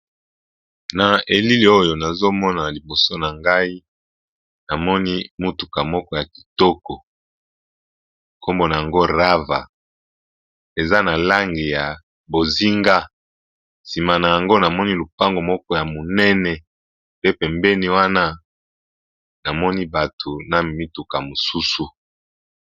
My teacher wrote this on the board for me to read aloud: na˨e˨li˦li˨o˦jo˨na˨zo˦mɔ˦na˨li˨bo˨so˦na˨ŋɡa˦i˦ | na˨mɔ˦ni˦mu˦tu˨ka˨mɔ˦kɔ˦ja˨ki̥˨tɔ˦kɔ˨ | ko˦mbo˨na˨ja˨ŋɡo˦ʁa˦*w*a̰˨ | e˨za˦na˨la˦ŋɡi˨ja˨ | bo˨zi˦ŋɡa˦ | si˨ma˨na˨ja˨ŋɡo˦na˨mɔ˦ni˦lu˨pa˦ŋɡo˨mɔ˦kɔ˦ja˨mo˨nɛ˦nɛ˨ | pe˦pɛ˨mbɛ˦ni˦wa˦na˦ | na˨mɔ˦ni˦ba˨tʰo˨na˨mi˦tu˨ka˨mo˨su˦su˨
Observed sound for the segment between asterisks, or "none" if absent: v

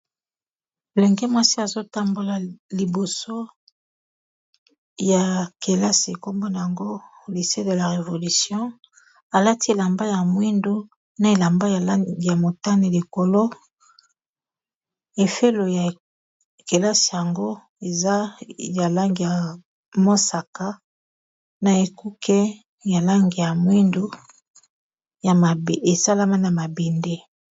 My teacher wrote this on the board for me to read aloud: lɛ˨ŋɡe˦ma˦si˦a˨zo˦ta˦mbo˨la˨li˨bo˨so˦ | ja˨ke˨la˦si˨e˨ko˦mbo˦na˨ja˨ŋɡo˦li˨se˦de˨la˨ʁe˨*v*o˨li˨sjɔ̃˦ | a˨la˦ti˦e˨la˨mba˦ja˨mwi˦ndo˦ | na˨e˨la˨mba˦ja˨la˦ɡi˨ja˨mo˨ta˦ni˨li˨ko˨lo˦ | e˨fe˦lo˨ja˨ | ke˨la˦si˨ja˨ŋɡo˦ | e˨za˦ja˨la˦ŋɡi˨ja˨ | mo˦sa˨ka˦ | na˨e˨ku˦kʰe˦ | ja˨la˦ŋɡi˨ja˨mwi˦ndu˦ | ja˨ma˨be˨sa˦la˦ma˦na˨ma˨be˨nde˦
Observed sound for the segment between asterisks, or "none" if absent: v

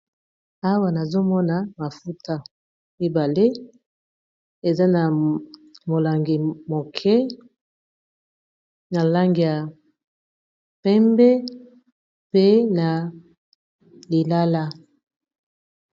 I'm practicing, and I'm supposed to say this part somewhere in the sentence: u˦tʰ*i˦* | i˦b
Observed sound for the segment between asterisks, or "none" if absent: a˦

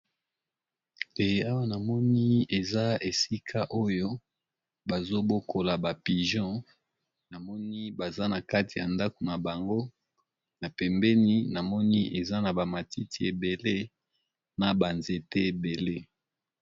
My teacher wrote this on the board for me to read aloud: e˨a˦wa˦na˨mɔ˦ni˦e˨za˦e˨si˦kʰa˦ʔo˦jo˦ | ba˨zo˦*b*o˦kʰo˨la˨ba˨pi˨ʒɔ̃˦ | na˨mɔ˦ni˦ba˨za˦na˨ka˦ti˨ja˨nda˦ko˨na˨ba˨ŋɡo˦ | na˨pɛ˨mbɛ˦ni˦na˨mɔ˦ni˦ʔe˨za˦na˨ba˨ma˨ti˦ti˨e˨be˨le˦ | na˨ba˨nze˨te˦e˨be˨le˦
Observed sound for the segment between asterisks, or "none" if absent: b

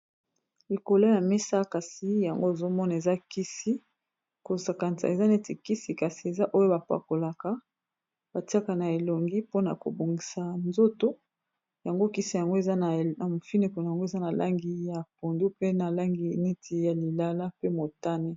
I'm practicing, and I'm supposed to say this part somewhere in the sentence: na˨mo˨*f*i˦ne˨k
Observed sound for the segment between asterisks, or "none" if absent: f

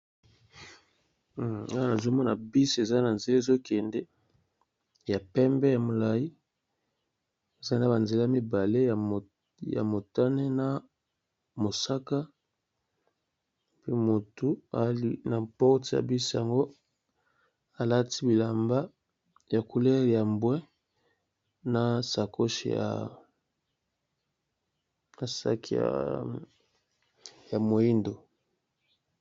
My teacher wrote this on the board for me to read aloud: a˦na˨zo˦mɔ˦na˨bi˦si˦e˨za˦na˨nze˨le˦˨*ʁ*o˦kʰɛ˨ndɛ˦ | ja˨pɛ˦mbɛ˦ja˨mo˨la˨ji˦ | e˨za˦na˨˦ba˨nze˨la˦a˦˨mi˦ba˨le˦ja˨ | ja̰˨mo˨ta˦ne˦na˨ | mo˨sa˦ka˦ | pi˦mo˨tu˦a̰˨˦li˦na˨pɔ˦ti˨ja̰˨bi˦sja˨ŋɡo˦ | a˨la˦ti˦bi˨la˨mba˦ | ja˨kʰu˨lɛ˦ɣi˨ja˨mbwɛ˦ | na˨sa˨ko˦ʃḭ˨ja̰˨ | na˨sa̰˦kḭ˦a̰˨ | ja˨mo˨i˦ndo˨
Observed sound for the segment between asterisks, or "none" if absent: z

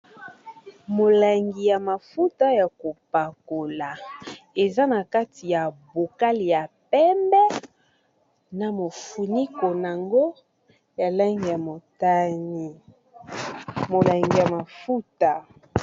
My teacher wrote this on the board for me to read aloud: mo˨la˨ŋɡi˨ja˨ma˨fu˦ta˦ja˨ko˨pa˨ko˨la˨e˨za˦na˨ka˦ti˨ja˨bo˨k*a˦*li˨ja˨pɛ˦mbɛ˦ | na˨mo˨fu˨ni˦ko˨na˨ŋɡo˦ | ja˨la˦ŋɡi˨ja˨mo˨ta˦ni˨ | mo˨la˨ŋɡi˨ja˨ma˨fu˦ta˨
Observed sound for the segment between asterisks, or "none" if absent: a˦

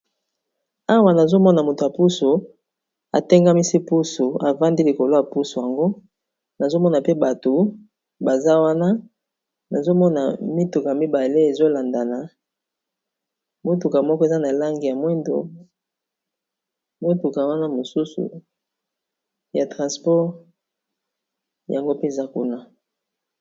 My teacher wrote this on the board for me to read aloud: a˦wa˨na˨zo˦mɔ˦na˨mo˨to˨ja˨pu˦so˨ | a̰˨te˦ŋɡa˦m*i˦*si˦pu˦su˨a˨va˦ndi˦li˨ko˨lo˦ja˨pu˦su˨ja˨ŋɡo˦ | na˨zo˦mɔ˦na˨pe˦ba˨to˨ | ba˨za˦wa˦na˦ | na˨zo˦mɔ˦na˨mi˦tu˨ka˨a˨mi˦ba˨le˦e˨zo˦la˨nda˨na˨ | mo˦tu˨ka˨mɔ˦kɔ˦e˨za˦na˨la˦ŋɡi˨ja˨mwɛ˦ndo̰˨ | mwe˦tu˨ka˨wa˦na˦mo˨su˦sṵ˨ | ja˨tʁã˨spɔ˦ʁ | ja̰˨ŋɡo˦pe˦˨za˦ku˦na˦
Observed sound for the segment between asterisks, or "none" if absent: i˦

